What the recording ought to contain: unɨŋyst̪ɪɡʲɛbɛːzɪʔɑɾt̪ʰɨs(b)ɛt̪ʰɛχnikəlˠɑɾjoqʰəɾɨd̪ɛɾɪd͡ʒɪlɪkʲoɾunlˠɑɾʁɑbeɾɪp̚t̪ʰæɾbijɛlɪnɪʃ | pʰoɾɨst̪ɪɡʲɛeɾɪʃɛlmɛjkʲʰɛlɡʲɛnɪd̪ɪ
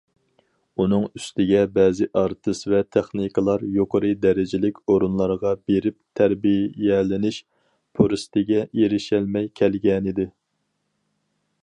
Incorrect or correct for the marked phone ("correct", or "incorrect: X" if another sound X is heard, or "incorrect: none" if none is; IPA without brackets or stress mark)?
incorrect: v